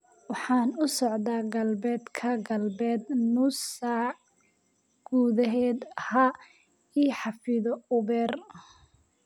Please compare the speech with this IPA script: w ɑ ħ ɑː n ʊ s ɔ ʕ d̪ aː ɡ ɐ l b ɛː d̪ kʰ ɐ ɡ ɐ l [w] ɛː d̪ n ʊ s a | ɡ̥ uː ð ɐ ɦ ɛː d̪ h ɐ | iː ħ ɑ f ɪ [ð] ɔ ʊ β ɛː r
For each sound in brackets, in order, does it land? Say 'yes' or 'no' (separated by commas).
no, yes